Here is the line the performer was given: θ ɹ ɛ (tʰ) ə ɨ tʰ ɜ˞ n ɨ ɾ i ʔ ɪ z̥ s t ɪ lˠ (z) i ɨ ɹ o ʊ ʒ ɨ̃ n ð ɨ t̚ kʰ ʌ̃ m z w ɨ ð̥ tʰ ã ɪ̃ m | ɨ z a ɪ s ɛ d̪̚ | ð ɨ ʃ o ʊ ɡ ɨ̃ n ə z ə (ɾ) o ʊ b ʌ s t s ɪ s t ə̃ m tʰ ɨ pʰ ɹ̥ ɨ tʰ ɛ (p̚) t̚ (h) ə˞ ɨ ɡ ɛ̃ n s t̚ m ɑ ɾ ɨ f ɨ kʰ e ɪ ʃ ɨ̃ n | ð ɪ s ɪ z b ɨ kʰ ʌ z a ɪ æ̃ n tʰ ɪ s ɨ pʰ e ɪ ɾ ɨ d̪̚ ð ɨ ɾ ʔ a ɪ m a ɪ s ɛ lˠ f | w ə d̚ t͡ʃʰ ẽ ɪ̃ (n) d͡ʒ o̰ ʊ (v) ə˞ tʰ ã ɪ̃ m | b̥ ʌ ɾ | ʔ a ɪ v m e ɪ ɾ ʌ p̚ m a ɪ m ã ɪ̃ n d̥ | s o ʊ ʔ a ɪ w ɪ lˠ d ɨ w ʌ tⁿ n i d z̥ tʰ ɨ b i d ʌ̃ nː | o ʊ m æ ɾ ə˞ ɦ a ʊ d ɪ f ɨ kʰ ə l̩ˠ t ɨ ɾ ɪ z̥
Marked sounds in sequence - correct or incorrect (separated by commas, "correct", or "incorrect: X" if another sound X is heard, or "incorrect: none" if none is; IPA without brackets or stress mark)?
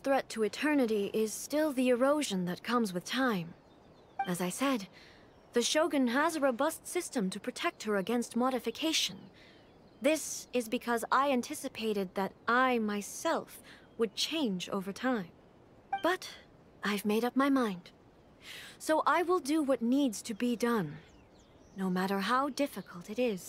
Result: correct, incorrect: ð, incorrect: ɹ, incorrect: k̚, correct, correct, correct